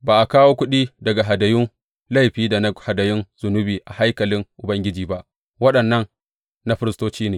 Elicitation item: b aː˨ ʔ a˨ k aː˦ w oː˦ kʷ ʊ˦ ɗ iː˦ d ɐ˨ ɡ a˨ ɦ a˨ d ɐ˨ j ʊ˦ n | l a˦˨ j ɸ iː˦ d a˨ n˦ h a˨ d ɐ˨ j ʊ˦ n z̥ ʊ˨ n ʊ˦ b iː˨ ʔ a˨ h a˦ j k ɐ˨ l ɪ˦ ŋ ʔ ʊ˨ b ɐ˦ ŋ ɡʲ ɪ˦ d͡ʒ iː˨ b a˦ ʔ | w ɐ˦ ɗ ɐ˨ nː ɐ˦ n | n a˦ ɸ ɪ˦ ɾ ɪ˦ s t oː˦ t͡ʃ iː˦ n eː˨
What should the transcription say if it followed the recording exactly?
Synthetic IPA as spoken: b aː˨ ʔ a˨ k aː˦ w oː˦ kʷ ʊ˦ ɗ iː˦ d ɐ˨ ɡ a˨ ɦ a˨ d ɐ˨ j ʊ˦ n | l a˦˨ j ɸ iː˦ d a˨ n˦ h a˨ d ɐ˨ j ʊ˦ n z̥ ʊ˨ n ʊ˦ b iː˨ ʔ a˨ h a˦ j k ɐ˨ l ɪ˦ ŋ ʔ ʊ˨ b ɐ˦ ŋ ɡʲ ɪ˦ d͡ʒ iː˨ b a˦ ʔ | w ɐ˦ ɗ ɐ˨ nː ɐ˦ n | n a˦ ɸ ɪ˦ ɾ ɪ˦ s t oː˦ t͡ʃ iː˦ n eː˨